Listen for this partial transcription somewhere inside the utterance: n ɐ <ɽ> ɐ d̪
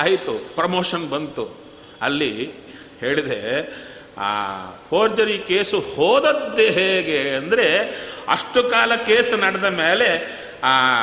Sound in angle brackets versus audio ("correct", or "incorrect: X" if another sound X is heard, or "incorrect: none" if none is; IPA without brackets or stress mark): correct